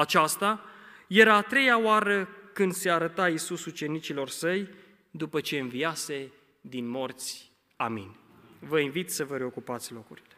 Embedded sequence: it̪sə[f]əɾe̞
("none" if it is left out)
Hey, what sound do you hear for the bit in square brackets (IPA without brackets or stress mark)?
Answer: v